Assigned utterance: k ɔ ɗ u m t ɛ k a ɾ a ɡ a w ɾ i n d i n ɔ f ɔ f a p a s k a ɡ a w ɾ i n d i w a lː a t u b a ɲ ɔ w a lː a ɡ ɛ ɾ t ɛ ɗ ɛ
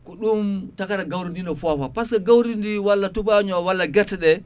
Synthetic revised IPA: k ɔ ɗ u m t a k a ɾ a ɡ a w ɾ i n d i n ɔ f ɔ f a p a s k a ɡ a w ɾ i n d i w a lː a t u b a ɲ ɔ w a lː a ɡ ɛ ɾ t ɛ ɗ ɛ